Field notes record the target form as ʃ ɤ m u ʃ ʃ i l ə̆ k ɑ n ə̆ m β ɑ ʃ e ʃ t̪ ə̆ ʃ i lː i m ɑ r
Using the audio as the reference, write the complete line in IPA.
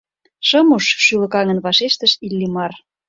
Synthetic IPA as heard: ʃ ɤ m u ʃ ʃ y l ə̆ k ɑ ŋ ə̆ n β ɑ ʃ e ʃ t̪ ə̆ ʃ i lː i m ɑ r